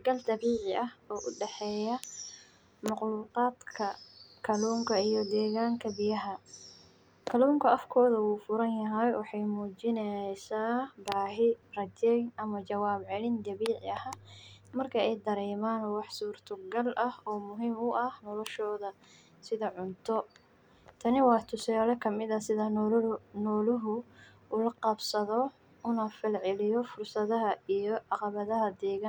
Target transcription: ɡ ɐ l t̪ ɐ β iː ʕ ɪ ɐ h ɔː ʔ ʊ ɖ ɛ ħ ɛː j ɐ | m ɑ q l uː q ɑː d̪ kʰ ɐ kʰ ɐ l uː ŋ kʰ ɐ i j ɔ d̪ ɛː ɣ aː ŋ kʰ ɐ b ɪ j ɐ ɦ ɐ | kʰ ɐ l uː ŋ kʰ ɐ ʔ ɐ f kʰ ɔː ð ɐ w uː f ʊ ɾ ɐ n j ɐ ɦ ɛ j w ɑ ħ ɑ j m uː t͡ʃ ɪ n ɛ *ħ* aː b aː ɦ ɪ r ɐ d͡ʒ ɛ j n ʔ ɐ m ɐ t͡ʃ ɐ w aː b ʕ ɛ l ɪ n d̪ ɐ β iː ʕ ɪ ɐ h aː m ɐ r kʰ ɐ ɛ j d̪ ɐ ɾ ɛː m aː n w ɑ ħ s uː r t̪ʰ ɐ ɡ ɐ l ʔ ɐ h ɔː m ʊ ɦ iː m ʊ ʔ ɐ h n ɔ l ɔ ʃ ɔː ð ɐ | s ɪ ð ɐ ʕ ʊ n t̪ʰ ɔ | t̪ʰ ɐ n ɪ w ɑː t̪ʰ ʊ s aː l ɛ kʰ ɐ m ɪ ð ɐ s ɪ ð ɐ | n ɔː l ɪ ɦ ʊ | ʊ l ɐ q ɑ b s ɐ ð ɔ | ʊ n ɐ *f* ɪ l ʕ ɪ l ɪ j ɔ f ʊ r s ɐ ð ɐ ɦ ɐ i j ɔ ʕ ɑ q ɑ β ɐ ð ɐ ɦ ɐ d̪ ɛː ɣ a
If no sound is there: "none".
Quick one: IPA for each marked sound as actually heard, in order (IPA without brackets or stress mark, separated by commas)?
s, f